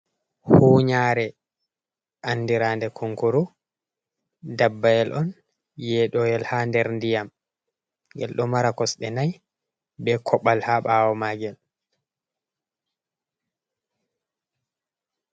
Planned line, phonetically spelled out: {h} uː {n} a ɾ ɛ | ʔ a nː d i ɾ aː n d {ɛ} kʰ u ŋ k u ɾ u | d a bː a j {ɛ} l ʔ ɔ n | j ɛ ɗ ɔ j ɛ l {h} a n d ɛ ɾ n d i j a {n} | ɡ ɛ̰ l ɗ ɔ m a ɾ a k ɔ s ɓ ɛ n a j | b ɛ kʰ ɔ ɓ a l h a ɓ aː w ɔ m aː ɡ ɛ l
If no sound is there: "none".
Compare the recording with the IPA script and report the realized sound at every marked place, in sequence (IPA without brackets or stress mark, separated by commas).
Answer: h, ɲ, ɛ, ɛ, h, m